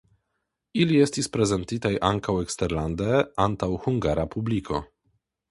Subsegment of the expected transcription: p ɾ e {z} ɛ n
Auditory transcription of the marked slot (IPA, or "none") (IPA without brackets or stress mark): z